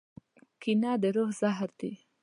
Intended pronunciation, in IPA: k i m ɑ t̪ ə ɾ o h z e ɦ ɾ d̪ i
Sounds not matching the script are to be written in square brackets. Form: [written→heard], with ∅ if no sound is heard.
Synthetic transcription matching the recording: k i [m→n] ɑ [t̪→d̪] ə ɾ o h z [e→a] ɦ ɾ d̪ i